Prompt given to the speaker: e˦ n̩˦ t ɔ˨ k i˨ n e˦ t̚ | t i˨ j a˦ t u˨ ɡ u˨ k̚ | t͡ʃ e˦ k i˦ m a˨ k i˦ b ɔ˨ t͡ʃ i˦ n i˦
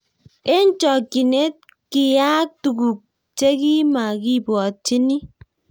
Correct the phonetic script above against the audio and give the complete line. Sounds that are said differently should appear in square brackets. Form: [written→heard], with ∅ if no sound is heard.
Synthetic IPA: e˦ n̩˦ [t→t͡ʃ] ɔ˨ k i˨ n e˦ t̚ | [t→k] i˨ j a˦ t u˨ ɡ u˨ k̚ | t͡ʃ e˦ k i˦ m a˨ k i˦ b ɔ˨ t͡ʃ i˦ n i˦

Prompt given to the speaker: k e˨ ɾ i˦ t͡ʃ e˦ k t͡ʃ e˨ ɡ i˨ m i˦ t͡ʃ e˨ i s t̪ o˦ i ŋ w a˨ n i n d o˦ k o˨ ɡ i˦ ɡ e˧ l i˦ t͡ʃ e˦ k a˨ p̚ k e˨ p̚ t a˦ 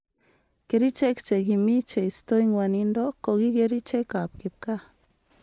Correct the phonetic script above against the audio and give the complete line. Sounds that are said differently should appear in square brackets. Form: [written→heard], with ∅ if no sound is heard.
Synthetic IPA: k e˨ ɾ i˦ t͡ʃ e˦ k t͡ʃ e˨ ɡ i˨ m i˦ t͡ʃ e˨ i s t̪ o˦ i ŋ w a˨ n i n d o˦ k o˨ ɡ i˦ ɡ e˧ [l→ɾ] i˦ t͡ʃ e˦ k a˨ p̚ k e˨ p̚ [t→k] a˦

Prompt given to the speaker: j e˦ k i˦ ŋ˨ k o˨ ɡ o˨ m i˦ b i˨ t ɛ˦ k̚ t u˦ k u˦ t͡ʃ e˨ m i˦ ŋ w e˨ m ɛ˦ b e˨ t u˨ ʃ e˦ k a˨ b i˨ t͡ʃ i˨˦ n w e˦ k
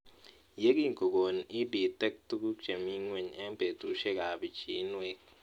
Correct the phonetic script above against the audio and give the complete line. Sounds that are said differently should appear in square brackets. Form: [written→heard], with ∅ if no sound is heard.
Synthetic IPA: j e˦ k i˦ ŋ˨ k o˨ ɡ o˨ [m→n] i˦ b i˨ t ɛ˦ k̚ t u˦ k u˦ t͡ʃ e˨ m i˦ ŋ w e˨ [m→ɲ] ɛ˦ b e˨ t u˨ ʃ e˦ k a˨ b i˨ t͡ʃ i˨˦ n w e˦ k

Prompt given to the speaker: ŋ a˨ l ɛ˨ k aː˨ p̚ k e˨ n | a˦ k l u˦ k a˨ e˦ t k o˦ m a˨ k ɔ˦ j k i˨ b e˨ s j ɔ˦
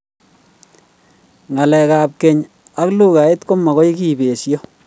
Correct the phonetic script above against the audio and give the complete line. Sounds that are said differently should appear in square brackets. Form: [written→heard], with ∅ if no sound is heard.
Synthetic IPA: ŋ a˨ l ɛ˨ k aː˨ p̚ k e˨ [n→ɲ] | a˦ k l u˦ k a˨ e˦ t k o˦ m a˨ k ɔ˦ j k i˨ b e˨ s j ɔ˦

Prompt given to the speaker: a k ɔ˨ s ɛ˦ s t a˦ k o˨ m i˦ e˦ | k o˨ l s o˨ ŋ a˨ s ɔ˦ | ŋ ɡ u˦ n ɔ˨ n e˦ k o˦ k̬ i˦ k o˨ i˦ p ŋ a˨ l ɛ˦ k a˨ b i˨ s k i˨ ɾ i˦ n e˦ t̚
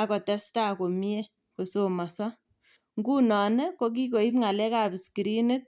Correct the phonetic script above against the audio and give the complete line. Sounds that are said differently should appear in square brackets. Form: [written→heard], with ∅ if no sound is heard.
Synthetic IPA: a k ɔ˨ [s→t] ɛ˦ s t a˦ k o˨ m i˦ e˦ | k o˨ [l→∅] s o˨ [ŋ→m] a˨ s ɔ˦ | ŋ ɡ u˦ n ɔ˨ n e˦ k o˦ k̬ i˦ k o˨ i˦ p ŋ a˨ l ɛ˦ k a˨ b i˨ s k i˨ ɾ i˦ n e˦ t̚

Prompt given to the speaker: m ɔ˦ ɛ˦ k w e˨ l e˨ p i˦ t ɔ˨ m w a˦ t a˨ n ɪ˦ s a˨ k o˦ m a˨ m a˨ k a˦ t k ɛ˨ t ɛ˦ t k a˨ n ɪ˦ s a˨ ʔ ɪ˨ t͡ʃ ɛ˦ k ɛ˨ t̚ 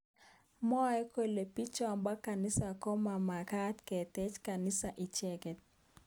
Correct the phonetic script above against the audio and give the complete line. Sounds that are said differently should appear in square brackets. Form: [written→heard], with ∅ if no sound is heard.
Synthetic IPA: m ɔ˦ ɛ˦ k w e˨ l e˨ p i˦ [t→t͡ʃ] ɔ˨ m [w→b] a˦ [t→k] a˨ n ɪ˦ s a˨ k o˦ m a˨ m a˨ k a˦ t k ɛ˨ t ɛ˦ [t→t͡ʃ] k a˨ n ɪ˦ s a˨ ʔ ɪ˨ t͡ʃ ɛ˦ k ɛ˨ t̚

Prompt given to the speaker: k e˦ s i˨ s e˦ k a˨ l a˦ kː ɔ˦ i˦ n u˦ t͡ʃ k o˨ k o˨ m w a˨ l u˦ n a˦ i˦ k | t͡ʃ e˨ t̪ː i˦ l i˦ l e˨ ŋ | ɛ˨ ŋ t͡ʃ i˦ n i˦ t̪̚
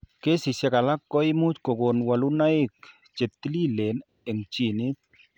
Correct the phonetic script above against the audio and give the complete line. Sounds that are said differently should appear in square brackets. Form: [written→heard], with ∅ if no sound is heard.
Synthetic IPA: k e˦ s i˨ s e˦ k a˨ l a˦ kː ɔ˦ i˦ [n→m] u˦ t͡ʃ k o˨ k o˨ [m→n] w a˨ l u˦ n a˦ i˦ k | t͡ʃ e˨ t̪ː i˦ l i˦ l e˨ [ŋ→n] | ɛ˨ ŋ t͡ʃ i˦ n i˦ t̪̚

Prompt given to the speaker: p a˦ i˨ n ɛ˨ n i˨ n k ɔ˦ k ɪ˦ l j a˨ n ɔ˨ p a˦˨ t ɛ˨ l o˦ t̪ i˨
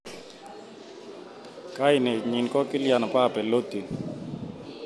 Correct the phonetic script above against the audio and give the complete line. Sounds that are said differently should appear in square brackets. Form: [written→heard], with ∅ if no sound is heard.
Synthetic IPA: [p→k] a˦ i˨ n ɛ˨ [n→ɲ] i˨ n k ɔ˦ k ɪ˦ l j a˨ n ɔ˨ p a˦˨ [t→p] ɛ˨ l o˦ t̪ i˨

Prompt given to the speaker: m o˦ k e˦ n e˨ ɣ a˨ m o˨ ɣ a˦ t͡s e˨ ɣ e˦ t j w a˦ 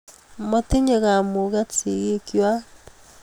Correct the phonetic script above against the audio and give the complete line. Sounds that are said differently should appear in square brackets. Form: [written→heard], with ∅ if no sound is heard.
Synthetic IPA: m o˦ [k→t] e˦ [n→ɲ] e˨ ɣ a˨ m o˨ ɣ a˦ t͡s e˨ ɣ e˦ [t→k] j w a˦

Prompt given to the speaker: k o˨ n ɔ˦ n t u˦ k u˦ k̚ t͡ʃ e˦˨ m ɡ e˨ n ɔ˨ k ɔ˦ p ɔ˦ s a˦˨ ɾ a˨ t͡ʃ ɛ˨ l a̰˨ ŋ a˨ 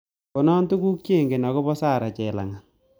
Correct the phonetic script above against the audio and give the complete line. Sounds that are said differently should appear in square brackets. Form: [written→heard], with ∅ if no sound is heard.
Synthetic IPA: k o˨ n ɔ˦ n t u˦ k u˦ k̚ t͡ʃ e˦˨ [m→ŋ] ɡ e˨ n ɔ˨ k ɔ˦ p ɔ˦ s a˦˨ ɾ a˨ t͡ʃ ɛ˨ l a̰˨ ŋ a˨

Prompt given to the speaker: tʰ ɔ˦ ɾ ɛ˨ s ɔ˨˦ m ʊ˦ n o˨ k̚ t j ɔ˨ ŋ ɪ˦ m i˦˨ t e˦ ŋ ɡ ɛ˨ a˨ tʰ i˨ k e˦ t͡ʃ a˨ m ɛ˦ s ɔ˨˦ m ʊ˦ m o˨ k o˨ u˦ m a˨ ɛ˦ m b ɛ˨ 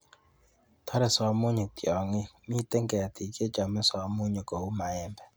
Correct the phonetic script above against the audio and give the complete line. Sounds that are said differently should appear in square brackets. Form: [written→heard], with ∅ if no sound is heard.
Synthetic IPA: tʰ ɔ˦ ɾ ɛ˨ s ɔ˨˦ m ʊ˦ [n→ɲ] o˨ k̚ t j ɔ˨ ŋ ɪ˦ m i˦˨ t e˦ ŋ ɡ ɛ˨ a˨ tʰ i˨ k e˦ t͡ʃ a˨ m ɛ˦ s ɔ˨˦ m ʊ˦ [m→ɲ] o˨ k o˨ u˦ m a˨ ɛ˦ m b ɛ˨

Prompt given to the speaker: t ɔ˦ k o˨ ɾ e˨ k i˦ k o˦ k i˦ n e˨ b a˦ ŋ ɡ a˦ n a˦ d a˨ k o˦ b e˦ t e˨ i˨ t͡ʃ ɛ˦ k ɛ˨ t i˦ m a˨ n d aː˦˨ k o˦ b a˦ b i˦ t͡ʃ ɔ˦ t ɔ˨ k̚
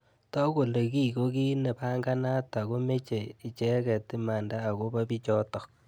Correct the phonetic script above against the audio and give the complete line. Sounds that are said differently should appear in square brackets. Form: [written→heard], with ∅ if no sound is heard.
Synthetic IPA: t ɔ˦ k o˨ [ɾ→l] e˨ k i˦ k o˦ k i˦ n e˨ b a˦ ŋ ɡ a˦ n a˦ [d→t] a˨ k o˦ [b→m] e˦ [t→t͡ʃ] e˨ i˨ t͡ʃ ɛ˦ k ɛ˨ t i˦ m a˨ n d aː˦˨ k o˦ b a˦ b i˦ t͡ʃ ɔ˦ t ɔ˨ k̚

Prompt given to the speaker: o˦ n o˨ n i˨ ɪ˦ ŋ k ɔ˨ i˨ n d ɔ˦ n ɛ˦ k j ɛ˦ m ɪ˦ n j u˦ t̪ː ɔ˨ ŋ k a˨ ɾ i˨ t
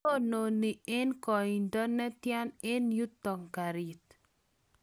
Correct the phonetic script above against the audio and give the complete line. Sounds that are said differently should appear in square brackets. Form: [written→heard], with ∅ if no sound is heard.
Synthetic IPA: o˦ n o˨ n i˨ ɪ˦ [ŋ→n] k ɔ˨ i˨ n d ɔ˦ n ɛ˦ [k→t] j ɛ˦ [m→n] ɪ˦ n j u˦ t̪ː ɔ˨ ŋ k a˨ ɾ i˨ t

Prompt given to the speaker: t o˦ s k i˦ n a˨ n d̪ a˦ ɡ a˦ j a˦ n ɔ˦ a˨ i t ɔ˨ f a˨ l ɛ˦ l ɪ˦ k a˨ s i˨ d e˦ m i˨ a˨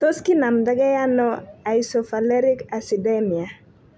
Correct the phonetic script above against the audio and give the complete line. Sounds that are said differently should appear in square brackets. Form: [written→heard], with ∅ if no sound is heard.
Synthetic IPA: t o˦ s k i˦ n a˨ [n→m] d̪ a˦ ɡ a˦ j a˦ n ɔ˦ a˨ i [t→s] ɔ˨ f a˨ l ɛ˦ [l→ɾ] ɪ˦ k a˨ s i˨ d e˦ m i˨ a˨

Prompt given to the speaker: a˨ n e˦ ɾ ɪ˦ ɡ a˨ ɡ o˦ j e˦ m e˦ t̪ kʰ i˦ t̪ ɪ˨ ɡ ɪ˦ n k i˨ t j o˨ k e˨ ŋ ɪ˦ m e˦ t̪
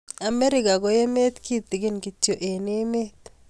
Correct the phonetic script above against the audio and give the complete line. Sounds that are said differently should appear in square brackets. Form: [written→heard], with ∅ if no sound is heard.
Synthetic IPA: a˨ [n→m] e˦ ɾ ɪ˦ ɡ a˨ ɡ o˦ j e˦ m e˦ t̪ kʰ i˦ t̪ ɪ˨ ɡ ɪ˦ n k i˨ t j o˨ [k→ʔ] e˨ [ŋ→n] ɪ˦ m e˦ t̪

